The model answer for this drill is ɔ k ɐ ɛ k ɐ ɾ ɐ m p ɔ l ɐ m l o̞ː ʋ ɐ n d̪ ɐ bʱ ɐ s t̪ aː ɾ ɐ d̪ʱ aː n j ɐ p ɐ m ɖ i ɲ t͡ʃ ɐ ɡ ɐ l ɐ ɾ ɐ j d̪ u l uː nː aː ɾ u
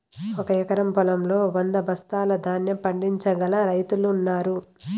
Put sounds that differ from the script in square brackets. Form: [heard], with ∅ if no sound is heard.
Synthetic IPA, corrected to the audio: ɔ k ɐ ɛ k ɐ ɾ ɐ m p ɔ l ɐ m l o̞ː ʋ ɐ n d̪ ɐ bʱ ɐ s t̪ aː [l] ɐ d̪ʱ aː n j ɐ p ɐ [ɳ] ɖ i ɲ t͡ʃ ɐ ɡ ɐ l ɐ ɾ ɐ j [t̪] u l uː nː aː ɾ u

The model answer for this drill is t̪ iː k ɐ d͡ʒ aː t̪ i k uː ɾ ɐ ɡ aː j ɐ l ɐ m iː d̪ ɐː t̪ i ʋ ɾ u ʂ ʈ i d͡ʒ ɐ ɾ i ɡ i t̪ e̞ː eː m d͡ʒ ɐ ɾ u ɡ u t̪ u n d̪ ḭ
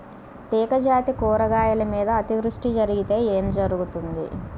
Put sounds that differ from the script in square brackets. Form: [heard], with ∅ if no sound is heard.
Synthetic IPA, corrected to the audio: t̪ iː k ɐ d͡ʒ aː t̪ i k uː ɾ ɐ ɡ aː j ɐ l ɐ m iː d̪ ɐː t̪ i ʋ ɾ u ʂ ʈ i d͡ʒ ɐ ɾ i ɡ i t̪ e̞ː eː m d͡ʒ ɐ ɾ u ɡ u t̪ u n d̪ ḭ

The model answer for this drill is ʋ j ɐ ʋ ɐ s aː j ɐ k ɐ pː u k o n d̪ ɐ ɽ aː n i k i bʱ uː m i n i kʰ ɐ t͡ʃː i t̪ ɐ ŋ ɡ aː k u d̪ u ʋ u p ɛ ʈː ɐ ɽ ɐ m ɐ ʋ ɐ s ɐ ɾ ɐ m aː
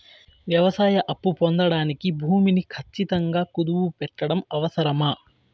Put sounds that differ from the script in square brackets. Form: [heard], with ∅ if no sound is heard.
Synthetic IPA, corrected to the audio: ʋ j ɐ ʋ ɐ s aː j ɐ [ʔ] ɐ pː u [p] o n d̪ ɐ ɽ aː n i k i bʱ uː m i n i kʰ ɐ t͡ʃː i t̪ ɐ ŋ ɡ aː k u d̪ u ʋ u p ɛ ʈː ɐ ɽ ɐ m ɐ ʋ ɐ s ɐ ɾ ɐ m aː

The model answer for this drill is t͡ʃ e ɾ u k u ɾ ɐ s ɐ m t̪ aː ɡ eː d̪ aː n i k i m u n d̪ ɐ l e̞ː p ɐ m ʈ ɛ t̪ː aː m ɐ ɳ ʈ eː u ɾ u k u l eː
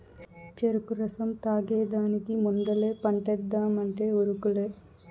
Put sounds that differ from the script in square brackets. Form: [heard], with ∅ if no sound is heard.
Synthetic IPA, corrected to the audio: t͡ʃ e ɾ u k u ɾ ɐ s ɐ m t̪ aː ɡ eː d̪ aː n i k i m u n d̪ ɐ l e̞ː p ɐ [ɳ] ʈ ɛ [d̪ː] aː m ɐ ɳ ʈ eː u ɾ u k u l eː

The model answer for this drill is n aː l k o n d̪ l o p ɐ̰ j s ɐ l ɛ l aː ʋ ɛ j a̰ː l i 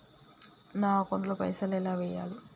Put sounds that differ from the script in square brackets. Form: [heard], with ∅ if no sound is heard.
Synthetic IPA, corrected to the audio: n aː [∅] k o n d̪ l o p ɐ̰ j s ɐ l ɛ l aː ʋ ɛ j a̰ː l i

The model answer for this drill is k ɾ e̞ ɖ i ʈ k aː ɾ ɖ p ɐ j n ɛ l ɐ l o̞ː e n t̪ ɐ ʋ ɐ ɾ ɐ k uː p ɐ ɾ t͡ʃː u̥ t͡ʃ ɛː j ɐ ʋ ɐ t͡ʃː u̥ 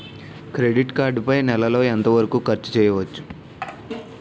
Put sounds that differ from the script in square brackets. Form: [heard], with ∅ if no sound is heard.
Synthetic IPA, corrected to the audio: k ɾ e̞ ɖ i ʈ k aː ɾ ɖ p ɐ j n ɛ l ɐ l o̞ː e n t̪ ɐ ʋ ɐ ɾ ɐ k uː [k] ɐ ɾ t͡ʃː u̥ t͡ʃ ɛː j ɐ ʋ ɐ t͡ʃː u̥

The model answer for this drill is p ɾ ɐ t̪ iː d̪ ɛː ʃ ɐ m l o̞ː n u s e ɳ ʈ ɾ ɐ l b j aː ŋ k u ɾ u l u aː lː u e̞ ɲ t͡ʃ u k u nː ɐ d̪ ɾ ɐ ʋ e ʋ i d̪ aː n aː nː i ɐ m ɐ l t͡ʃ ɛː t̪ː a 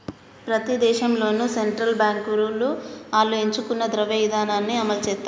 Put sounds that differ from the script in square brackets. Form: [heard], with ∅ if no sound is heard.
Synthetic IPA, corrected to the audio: p ɾ ɐ t̪ [i] d̪ ɛː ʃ ɐ m l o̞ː n u s e ɳ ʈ ɾ ɐ l b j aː ŋ k u ɾ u l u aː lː u e̞ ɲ t͡ʃ u k u nː ɐ d̪ ɾ ɐ ʋ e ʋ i d̪ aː n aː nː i ɐ m ɐ l t͡ʃ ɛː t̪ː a

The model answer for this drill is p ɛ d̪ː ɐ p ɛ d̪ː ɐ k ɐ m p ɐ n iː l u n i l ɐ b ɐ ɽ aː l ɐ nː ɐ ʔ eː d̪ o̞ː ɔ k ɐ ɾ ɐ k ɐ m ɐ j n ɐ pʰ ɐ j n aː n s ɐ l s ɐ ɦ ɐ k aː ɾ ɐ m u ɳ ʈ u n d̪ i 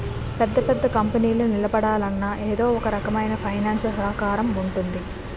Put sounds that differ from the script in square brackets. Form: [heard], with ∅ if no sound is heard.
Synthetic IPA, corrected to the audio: p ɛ d̪ː ɐ p ɛ d̪ː ɐ k ɐ m p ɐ n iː l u n i l ɐ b ɐ ɽ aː l ɐ nː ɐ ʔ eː d̪ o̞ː ɔ k ɐ ɾ ɐ k ɐ m ɐ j n ɐ pʰ ɐ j n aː n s ɐ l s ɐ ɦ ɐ k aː ɾ ɐ m u ɳ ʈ u n d̪ i

